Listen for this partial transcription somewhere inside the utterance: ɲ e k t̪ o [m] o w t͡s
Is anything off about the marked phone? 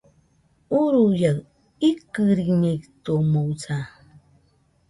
no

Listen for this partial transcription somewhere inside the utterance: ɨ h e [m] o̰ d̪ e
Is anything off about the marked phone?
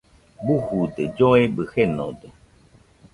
yes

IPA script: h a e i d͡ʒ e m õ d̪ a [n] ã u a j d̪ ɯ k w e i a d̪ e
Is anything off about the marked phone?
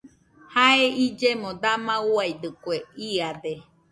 yes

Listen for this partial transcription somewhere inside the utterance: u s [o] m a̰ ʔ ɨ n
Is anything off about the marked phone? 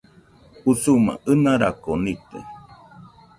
yes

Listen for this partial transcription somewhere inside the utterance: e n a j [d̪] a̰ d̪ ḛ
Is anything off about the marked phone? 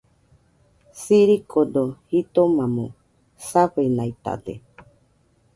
yes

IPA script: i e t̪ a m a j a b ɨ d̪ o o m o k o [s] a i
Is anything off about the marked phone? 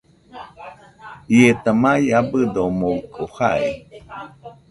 yes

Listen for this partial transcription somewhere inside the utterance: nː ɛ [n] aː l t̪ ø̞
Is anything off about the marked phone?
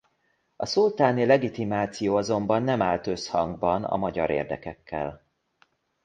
yes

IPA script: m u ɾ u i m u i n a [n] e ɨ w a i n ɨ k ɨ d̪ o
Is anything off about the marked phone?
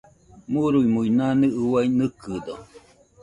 no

